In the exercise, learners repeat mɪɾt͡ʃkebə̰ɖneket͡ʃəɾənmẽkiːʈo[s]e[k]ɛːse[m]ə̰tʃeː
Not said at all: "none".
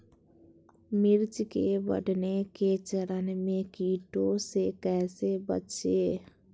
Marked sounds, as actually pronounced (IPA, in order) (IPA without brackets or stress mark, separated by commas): s, k, b